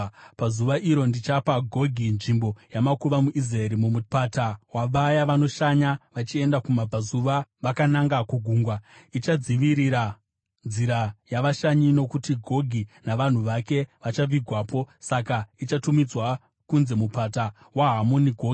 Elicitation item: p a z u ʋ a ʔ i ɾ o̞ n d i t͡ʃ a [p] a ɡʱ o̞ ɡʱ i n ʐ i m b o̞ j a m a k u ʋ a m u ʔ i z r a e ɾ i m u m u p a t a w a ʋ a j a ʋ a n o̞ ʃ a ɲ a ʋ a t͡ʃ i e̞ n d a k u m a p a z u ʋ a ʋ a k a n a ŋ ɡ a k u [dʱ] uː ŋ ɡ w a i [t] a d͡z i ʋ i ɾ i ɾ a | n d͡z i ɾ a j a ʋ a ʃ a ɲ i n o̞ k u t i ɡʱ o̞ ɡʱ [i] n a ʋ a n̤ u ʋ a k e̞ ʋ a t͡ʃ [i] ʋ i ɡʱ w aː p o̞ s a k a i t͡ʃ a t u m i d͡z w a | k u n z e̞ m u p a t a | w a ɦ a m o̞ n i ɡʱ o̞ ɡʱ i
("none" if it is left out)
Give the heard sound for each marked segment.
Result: p, ɡʱ, t͡ʃ, i, a

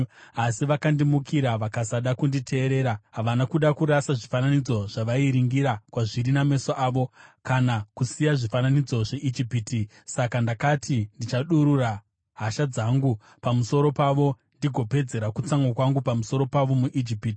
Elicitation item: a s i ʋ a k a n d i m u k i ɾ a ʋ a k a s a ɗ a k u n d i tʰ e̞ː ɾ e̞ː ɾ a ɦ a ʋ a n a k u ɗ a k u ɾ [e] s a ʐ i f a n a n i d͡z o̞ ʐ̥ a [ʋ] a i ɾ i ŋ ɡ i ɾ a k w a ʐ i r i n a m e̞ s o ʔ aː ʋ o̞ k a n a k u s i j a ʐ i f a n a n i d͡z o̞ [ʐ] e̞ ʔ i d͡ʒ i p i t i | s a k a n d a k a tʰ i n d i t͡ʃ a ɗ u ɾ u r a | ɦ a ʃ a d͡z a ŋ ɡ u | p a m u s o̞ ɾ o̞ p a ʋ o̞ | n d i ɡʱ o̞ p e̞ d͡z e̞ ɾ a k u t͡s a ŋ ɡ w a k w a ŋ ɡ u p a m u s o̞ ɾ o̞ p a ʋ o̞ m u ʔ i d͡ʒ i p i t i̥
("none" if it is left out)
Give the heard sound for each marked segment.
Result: a, ʋ, ʐ

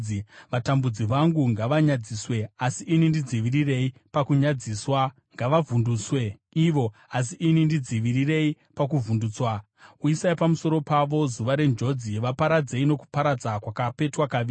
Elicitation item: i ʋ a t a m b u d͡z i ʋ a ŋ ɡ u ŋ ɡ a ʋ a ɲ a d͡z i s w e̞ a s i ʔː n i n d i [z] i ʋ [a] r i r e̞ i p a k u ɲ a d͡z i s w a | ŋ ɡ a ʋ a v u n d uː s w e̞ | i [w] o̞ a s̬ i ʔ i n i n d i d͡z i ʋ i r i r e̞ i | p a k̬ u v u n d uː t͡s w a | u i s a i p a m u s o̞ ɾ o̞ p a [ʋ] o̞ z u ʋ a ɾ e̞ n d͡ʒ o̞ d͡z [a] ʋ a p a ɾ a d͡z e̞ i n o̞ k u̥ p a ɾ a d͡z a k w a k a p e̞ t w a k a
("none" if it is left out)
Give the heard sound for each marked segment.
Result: d͡z, i, ʋ, ʋ, i

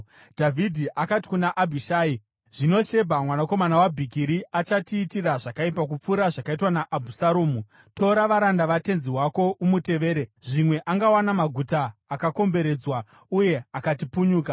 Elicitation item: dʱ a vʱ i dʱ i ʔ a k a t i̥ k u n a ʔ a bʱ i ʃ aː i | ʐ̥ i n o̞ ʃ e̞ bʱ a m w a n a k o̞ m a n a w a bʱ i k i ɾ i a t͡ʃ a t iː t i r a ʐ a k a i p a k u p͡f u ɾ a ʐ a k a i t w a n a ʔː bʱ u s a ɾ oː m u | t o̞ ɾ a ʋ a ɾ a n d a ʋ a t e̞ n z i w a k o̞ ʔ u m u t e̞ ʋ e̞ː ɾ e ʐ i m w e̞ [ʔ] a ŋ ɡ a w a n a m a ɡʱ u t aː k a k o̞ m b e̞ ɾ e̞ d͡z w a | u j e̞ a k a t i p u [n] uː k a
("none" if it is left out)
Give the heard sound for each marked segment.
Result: ʔ, ɲ

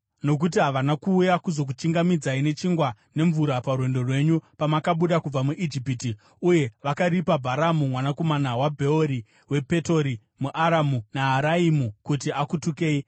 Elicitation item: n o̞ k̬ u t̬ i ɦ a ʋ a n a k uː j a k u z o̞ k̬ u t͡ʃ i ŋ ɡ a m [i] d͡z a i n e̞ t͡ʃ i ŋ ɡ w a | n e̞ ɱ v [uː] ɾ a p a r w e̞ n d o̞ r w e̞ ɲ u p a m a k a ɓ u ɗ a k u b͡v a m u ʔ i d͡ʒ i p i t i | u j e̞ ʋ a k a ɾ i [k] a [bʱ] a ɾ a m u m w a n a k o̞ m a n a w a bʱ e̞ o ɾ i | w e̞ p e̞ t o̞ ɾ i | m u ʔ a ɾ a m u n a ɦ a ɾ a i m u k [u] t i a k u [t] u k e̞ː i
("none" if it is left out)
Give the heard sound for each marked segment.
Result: i, u, p, bʱ, u, t

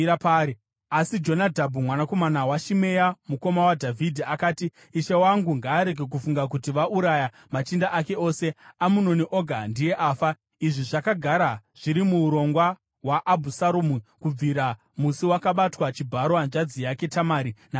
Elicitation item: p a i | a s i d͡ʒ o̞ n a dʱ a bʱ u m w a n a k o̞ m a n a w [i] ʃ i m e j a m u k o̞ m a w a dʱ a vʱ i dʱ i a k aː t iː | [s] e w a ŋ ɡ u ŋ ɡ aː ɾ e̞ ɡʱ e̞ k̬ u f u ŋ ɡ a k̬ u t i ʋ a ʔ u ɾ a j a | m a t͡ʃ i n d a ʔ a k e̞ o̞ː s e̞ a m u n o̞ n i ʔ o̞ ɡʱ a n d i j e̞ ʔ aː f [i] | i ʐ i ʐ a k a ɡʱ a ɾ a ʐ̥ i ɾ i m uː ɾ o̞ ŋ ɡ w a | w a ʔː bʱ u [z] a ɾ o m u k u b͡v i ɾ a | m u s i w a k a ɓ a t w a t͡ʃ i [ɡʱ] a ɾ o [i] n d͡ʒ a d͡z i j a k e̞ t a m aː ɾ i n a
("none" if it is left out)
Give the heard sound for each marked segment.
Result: a, ʃ, a, s, bʱ, a

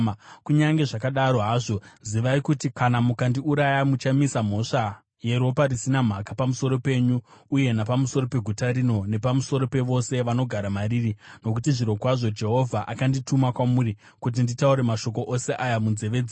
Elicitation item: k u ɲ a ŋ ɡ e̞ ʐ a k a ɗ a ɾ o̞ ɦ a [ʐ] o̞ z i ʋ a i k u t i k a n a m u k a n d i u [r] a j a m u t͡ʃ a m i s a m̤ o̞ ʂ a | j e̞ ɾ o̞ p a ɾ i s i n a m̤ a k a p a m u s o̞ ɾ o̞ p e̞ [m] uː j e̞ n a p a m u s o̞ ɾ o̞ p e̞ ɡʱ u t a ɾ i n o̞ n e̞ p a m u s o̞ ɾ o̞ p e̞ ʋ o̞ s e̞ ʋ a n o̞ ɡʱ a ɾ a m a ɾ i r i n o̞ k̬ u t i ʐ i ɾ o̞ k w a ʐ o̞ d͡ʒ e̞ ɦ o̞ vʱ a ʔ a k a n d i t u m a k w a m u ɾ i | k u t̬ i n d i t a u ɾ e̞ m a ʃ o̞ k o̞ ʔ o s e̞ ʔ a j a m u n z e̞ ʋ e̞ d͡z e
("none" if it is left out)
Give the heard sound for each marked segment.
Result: ʐ, ɾ, ɲ

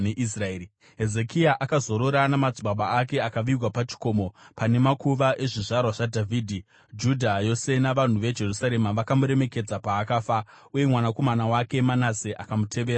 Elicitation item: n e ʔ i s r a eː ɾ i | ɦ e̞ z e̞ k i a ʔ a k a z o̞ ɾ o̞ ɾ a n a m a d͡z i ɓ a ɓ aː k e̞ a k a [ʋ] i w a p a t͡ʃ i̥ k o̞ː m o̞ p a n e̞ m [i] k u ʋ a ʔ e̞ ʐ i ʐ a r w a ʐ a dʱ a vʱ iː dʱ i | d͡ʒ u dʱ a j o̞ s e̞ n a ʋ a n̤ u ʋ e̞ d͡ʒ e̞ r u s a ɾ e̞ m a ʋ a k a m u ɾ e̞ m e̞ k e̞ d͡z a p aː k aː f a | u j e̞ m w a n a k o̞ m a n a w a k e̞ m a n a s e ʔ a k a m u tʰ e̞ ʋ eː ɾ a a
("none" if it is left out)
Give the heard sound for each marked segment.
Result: ʋ, a

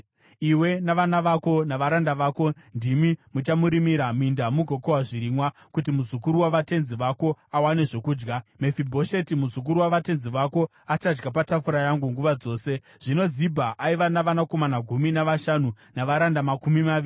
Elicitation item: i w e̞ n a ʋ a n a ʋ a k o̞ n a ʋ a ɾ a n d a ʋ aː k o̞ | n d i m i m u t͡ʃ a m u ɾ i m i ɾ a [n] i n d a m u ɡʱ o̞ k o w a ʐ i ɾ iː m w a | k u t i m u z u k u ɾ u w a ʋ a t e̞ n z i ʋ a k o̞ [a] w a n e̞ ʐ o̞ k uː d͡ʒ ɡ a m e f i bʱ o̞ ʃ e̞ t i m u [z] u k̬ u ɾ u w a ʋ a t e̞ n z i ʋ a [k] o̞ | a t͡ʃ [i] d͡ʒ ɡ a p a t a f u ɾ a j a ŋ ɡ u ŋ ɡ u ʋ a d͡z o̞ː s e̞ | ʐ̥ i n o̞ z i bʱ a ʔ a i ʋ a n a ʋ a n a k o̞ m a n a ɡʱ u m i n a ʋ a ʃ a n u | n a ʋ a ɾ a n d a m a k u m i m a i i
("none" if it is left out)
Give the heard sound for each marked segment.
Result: m, a, z, k, a

